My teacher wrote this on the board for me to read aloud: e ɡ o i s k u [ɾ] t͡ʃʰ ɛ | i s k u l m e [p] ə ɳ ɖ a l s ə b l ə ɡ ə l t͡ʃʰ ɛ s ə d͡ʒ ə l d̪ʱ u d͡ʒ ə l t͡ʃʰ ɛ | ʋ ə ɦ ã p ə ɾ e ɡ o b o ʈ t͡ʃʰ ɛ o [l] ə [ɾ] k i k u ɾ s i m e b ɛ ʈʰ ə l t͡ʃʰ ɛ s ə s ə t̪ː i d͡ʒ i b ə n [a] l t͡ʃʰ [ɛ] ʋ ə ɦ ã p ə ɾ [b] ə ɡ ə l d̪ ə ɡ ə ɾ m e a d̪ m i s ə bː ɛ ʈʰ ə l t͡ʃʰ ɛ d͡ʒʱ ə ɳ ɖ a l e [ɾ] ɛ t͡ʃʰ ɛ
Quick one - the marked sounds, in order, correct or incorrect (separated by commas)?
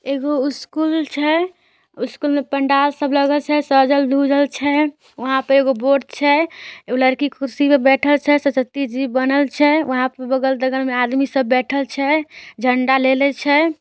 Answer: incorrect, correct, correct, correct, incorrect, correct, correct, incorrect